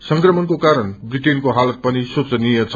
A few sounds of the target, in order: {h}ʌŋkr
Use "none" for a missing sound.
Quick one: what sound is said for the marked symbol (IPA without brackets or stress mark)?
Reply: s